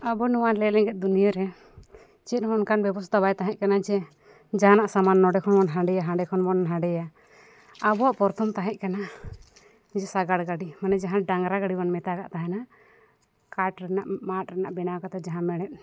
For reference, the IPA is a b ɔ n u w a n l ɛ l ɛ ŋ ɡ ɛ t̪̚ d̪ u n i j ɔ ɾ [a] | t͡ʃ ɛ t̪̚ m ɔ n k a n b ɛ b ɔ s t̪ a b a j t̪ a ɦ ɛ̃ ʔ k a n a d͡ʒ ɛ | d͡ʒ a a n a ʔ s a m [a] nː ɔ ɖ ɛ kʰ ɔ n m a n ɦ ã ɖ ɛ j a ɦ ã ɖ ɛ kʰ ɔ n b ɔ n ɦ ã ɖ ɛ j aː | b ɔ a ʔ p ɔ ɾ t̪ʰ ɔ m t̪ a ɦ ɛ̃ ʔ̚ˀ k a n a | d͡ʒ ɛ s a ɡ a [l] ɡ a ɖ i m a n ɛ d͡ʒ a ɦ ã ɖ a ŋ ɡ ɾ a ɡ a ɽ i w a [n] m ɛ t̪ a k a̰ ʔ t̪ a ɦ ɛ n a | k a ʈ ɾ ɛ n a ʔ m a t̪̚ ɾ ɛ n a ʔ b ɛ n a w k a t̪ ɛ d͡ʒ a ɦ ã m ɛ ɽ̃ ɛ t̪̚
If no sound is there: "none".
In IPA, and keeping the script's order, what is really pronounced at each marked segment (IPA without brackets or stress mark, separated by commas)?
ɛ, a, ɽ, n